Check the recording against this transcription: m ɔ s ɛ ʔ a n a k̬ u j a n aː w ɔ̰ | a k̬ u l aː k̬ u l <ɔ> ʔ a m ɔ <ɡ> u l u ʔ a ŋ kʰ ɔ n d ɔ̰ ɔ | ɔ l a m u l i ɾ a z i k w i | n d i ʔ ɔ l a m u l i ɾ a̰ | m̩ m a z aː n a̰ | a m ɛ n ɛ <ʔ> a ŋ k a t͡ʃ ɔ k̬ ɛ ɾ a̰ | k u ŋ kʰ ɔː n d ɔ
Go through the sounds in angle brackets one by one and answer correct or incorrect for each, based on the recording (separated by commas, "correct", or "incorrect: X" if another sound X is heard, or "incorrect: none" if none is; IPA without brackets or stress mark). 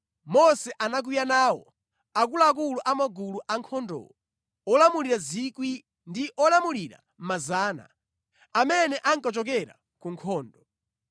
incorrect: u, correct, correct